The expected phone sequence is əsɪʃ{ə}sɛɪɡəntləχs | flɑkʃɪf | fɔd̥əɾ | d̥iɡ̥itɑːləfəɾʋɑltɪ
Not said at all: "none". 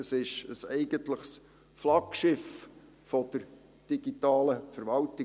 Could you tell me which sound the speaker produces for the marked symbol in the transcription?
ə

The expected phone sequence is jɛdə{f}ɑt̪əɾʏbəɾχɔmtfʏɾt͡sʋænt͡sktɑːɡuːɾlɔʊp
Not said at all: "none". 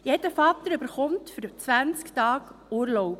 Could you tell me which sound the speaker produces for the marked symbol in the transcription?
f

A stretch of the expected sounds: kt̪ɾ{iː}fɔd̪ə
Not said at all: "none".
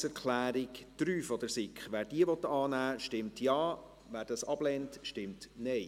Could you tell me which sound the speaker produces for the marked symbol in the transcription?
yː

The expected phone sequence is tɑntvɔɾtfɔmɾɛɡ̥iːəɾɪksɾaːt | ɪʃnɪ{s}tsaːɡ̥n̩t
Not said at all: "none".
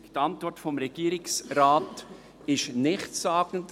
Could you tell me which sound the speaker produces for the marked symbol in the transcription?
χ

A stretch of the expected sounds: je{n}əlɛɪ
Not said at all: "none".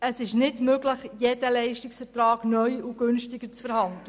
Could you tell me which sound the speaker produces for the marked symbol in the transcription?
d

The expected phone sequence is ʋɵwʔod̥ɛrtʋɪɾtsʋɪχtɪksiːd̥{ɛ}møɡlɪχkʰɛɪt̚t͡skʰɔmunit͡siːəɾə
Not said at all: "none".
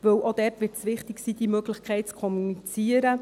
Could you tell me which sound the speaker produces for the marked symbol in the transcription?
i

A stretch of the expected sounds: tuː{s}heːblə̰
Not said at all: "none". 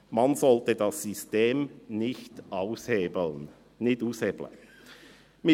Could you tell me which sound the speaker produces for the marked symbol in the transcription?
s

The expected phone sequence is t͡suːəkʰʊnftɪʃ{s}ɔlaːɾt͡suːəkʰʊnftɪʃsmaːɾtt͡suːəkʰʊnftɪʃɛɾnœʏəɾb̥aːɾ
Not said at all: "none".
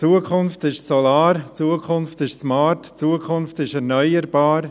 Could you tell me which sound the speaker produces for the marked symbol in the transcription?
s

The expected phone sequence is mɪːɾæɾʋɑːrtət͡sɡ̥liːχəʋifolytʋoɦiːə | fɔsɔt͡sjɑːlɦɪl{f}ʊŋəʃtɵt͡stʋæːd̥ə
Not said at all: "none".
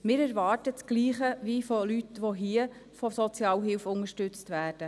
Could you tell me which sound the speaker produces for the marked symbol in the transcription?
f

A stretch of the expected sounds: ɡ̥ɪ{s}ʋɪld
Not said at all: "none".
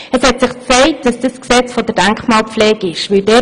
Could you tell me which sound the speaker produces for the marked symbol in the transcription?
ʃ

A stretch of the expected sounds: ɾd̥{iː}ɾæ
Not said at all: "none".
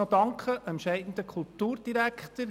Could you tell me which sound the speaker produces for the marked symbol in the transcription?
i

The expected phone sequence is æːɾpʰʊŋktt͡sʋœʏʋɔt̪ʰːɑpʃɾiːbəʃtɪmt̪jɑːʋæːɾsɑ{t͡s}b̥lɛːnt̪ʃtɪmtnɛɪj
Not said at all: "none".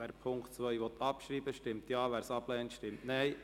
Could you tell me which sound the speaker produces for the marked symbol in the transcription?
none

